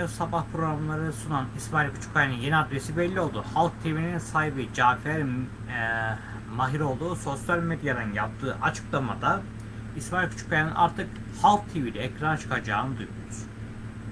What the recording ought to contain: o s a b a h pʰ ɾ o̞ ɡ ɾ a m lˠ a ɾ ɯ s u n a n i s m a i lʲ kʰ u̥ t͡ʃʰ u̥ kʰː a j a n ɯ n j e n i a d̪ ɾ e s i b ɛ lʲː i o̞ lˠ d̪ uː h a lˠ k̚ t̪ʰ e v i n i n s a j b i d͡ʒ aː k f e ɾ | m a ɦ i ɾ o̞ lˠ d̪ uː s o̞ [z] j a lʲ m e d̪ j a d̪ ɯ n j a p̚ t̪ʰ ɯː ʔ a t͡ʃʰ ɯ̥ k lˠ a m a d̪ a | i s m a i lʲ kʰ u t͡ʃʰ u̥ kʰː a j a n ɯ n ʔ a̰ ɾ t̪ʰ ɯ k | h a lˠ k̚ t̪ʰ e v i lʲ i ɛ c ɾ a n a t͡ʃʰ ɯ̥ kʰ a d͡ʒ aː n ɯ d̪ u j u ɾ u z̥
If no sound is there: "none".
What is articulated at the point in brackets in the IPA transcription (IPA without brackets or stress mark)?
s